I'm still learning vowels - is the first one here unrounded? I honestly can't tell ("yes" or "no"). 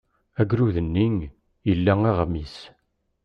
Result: yes